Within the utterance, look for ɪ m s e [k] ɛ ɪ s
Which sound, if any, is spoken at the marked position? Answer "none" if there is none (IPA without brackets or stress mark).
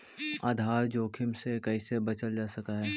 k